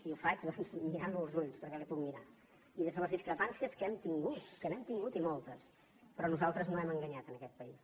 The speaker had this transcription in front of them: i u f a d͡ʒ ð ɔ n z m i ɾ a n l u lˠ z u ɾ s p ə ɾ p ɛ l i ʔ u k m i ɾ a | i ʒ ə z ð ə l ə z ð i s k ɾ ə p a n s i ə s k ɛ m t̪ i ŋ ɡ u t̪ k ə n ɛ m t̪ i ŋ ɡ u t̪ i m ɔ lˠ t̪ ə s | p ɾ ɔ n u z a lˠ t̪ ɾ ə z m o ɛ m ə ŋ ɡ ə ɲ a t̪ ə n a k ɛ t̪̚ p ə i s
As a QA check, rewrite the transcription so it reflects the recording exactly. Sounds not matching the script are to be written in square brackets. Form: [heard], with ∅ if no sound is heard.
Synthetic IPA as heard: i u f a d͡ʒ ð ɔ n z m i ɾ a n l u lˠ z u [ʎ] s p ə ɾ [k] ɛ l i [p] u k m i ɾ a | i [ð] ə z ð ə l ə z ð i s k ɾ ə p a n s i ə s k ɛ m t̪ i ŋ ɡ u t̪ k ə n ɛ m t̪ i ŋ ɡ u t̪ i m ɔ lˠ t̪ ə s | p ɾ ɔ n u z a lˠ t̪ ɾ ə z [n] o ɛ m ə ŋ ɡ ə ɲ a t̪ ə n [ə] k ɛ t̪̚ p ə i s

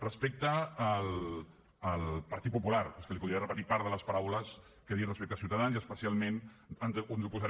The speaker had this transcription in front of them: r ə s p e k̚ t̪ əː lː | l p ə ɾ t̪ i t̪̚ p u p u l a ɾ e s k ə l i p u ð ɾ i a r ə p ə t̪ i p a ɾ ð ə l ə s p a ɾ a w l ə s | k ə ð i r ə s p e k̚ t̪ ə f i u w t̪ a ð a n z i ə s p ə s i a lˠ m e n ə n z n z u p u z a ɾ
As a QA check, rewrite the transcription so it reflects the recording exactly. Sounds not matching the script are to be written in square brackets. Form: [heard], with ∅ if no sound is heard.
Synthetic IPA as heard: r ə s p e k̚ t̪ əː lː | l p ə ɾ t̪ i t̪̚ p u p u l a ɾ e s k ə l i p u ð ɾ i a r ə p ə t̪ i p a ɾ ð ə l ə s p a ɾ a w l ə s | k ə ð i r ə s p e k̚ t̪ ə [s] i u w t̪ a ð a n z i ə s p ə s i a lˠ m e n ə n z n z u p u z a ɾ

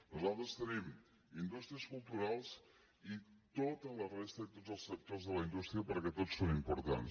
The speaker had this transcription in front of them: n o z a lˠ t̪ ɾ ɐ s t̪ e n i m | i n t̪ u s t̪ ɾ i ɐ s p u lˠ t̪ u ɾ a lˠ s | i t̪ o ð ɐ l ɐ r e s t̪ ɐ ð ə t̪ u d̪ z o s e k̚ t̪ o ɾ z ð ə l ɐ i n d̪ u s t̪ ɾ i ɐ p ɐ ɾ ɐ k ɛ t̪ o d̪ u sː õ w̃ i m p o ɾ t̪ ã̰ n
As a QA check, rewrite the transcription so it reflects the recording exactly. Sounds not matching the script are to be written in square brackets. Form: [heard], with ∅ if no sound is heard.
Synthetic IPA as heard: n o z a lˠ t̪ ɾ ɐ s t̪ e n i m | i n [d̪] u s t̪ ɾ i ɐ s [k] u lˠ t̪ u ɾ a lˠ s | i t̪ o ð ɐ l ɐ r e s t̪ ɐ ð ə t̪ [o] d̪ z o s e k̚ t̪ o ɾ z ð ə l ɐ i n d̪ u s t̪ ɾ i ɐ p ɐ ɾ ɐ k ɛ t̪ o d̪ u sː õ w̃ i m p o ɾ t̪ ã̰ n

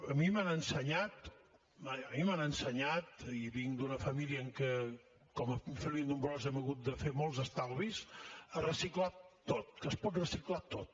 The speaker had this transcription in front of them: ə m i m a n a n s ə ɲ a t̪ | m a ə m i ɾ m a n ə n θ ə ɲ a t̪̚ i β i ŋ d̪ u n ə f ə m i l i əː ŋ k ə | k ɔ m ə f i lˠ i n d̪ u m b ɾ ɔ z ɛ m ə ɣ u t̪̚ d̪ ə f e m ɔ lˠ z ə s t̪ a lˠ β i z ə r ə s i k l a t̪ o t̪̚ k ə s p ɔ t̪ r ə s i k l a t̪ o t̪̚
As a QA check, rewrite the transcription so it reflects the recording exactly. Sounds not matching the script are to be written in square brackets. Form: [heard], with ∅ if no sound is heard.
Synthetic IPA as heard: ə m i m a n [ə] n s ə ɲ a t̪ | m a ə m i [∅] m a n ə n [s] ə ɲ a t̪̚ i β i ŋ d̪ u n ə f ə m i l i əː ŋ k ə | k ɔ m ə f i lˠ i n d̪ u m b ɾ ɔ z ɛ m ə ɣ u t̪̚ d̪ ə f e m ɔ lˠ z ə s t̪ a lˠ β i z ə r ə s i k l a t̪ o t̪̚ k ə s p ɔ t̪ r ə s i k l a t̪ o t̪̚

